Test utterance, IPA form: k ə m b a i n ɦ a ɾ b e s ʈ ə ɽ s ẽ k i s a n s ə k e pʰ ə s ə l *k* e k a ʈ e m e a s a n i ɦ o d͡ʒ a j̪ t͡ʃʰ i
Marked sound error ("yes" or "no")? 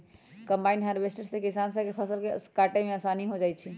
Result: no